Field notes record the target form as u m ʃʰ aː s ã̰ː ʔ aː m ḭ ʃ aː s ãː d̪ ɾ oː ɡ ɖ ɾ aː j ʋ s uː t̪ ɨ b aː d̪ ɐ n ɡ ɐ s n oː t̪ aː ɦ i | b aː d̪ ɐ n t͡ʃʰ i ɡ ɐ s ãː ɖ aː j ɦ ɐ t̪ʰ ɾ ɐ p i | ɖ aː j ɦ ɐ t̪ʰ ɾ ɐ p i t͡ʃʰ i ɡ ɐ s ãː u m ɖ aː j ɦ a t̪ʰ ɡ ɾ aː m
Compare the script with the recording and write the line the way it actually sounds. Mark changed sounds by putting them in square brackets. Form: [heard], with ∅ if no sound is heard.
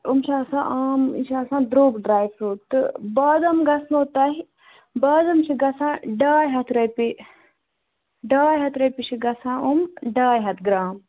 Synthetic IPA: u m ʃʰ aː s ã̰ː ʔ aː m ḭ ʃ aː s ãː d̪ ɾ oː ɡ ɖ ɾ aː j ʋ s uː t̪ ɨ b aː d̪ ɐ [m] ɡ ɐ s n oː t̪ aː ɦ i | b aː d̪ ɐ [m] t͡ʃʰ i ɡ ɐ s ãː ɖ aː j ɦ ɐ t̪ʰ ɾ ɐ p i | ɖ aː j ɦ ɐ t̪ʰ ɾ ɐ p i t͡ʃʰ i ɡ ɐ s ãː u m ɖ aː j ɦ [ɐ] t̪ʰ ɡ ɾ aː m